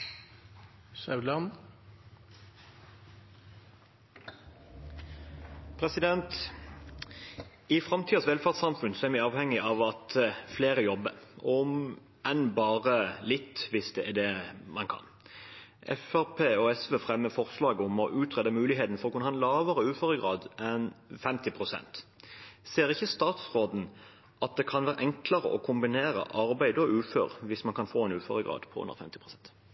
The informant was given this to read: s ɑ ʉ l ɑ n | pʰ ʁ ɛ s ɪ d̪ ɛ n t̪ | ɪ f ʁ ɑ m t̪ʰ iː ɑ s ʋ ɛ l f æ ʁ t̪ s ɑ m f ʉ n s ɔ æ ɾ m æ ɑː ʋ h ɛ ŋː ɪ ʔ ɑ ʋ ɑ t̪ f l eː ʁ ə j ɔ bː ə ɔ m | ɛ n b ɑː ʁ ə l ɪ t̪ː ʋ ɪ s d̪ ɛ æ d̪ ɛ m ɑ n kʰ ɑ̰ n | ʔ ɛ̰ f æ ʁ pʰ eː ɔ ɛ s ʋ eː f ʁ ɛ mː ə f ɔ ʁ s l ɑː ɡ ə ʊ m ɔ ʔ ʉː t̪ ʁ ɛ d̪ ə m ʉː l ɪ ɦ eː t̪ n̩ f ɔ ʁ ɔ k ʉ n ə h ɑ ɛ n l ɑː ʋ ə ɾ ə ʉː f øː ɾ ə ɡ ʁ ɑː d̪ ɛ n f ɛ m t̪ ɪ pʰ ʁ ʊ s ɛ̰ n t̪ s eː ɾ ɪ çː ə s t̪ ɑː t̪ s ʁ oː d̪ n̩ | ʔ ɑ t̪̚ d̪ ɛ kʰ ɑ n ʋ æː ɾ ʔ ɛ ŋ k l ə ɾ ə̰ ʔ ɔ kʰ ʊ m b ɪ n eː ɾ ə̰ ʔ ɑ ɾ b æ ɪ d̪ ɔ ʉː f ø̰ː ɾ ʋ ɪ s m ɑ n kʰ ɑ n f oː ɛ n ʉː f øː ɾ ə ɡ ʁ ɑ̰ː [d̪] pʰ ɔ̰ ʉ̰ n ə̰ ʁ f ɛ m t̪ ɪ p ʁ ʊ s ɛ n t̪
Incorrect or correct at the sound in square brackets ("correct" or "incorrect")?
correct